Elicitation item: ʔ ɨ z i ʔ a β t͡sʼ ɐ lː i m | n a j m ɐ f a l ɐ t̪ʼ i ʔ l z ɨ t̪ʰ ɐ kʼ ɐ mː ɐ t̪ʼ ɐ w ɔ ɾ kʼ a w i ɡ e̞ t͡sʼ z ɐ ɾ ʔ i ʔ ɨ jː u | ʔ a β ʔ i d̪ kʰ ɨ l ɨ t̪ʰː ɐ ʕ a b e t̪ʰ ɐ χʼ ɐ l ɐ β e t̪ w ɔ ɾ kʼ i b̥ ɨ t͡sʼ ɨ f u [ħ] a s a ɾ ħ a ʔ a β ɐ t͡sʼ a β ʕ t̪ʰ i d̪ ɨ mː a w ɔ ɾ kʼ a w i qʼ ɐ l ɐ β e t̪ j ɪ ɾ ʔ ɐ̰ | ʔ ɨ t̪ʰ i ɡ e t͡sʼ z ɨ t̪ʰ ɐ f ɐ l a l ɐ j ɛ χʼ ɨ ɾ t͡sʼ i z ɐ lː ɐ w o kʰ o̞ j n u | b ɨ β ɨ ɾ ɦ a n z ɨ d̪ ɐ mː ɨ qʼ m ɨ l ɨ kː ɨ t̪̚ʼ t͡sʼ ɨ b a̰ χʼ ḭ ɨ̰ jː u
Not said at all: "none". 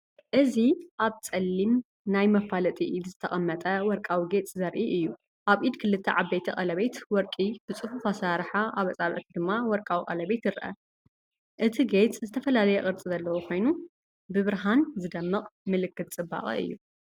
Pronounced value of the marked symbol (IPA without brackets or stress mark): f